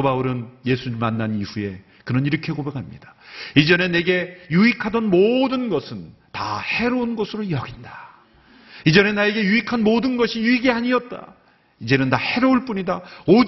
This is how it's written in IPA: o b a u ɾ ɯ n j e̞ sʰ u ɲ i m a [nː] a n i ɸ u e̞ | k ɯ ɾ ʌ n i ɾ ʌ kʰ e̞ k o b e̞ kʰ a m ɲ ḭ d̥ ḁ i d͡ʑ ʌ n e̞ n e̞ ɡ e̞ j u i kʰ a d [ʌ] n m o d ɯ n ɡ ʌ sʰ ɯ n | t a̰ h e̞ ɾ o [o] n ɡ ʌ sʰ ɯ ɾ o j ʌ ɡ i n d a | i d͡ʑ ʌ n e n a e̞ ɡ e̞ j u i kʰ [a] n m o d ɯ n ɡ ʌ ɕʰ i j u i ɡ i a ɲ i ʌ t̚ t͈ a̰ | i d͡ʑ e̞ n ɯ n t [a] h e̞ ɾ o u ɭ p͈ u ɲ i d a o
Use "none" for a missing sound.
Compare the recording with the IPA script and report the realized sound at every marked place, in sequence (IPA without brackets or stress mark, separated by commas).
nː, ʌ, u, a, a